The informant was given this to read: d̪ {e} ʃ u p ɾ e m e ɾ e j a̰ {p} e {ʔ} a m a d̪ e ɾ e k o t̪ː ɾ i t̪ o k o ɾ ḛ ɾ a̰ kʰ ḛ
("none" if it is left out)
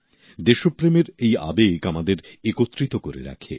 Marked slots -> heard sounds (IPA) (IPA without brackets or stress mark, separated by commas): e, b, k